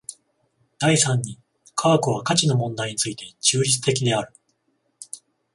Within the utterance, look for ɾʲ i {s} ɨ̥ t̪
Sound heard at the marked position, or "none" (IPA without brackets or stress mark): t͡s